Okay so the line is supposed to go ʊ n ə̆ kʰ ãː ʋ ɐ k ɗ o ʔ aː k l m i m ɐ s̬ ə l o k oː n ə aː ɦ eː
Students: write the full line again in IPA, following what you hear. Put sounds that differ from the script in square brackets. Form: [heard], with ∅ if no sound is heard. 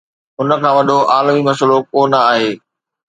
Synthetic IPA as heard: ʊ n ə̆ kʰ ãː ʋ ɐ [∅] ɗ o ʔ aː [∅] l m i m ɐ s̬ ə l o k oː n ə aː ɦ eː